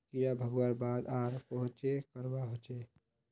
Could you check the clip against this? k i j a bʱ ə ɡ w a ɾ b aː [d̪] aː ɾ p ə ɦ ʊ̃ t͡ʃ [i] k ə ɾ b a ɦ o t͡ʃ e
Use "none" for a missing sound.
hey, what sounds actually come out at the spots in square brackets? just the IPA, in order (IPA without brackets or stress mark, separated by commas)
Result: d̪, e